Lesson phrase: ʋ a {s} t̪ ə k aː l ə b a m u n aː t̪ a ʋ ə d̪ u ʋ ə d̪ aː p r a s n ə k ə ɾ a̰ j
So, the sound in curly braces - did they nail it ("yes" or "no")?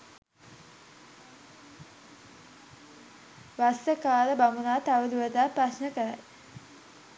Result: yes